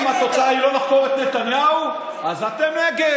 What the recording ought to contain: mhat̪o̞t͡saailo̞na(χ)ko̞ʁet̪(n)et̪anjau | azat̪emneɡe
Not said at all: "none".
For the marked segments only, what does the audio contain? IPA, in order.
χ, n

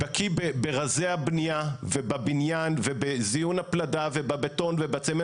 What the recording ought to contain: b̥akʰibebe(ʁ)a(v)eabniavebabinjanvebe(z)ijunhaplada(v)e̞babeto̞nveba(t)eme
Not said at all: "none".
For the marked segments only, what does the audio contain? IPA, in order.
ʁ, z, z, v, t͡s

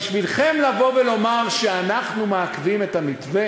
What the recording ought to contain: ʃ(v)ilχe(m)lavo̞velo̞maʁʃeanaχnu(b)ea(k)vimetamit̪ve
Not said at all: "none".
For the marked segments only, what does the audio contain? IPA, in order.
v, m, m, k

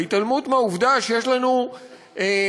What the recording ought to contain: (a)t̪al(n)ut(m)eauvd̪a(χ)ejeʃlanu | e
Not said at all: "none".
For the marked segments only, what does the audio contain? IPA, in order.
i, m, m, ʃ

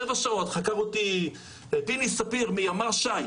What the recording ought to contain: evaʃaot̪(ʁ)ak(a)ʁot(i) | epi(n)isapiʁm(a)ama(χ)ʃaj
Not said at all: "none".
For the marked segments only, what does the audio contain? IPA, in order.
χ, a, i, n, i, ʁ

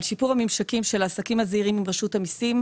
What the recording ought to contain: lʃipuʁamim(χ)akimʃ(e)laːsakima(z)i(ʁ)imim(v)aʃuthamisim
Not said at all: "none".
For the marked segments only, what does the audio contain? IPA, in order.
ʃ, e, z, ʁ, ʁ

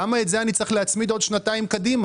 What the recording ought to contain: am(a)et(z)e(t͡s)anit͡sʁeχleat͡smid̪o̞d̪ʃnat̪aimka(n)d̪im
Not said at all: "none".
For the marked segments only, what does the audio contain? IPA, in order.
a, z, none, none

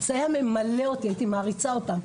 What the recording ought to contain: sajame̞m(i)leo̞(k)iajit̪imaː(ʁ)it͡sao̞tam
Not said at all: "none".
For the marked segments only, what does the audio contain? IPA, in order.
a, t, ʁ

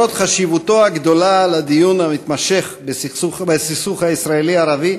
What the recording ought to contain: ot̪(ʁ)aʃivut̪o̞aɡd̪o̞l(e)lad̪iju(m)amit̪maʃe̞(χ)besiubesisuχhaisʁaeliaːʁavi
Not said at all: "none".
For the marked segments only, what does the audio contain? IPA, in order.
χ, a, n, χ

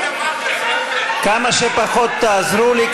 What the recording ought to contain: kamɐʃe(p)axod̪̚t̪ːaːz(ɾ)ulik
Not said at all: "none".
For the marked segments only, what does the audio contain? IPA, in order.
p, ɾ

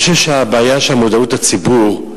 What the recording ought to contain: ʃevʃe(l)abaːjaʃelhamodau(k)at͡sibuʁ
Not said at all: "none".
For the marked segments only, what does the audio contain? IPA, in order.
none, t

